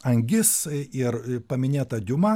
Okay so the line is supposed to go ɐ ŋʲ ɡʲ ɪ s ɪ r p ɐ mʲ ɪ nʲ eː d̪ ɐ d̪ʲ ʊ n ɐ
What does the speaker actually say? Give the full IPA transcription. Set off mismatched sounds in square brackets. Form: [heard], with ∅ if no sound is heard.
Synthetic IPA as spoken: ɐ ŋʲ ɡʲ ɪ s ɪ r p ɐ mʲ ɪ nʲ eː [t̪] ɐ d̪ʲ ʊ [m] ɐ